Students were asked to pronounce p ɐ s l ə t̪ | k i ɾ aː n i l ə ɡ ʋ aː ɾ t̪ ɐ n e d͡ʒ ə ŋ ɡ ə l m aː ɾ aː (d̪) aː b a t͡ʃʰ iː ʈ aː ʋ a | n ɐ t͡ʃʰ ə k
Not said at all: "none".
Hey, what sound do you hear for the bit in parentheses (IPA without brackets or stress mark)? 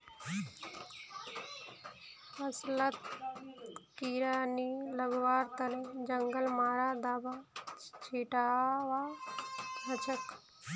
d̪